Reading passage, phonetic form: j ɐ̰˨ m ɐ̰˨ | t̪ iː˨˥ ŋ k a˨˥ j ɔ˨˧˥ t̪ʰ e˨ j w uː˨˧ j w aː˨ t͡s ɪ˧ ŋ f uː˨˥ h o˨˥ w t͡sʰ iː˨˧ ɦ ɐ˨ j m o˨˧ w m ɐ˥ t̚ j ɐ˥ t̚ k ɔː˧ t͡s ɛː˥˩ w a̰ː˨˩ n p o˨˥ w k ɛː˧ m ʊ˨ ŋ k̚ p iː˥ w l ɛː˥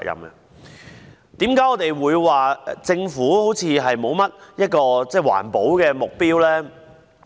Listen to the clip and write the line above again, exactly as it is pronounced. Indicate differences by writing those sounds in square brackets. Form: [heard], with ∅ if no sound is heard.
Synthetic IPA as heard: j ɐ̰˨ m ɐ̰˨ | t̪ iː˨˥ [m] k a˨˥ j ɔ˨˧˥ [t̪] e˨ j w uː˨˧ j w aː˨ t͡s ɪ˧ ŋ f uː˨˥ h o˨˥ w t͡sʰ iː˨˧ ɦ ɐ˨ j m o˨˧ w m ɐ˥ t̚ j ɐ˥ t̚ k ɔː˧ t͡s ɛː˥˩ w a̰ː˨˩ n p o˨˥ w k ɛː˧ m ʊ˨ [∅] k̚ p iː˥ w l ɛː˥

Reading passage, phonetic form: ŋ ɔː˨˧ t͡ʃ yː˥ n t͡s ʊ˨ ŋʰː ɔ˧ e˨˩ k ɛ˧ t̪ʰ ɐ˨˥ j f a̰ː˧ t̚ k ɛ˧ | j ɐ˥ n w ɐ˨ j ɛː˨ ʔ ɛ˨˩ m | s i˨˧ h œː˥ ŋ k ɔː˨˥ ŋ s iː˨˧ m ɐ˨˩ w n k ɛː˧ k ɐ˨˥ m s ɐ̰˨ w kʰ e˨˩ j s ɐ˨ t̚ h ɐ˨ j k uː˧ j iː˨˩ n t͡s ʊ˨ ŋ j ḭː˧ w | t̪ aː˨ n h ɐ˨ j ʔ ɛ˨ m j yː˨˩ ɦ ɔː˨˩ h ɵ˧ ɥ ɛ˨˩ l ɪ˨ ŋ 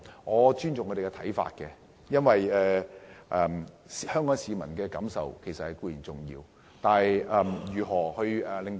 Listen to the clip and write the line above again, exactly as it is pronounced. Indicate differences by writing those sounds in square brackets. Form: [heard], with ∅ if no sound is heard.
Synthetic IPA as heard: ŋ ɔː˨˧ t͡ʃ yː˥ n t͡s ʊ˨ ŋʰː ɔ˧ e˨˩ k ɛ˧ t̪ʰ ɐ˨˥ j f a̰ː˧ t̚ k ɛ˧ | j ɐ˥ n w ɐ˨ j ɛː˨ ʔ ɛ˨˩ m | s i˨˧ h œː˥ ŋ k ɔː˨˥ ŋ s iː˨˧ m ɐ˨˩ [∅] n k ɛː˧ k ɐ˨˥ m s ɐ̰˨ w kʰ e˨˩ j s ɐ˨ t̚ h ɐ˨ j k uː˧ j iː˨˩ n t͡s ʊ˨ ŋ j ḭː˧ w | t̪ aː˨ n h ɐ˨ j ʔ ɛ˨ m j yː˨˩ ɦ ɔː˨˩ h ɵ˧ ɥ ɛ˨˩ l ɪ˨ ŋ

